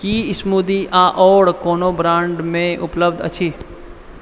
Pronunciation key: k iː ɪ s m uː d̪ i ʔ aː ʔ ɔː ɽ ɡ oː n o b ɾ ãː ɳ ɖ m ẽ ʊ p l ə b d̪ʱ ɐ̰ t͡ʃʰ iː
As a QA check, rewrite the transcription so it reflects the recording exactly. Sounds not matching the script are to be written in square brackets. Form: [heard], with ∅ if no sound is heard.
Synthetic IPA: k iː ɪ s m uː d̪ i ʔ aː ʔ ɔː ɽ [k] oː n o b ɾ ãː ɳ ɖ m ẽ ʊ p l ə b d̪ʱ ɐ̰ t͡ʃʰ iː